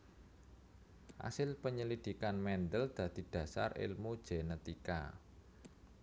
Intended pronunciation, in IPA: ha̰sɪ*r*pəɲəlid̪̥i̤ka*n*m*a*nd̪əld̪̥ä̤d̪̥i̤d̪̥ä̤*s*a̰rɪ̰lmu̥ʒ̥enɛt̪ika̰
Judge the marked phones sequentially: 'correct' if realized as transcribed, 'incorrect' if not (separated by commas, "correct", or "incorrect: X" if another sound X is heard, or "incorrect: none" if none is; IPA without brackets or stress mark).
incorrect: l, correct, incorrect: ɛ, correct